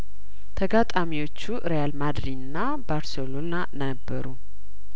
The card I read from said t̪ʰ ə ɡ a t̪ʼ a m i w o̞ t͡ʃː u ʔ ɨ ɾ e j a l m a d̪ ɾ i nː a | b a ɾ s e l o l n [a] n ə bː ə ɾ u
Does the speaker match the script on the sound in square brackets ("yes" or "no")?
yes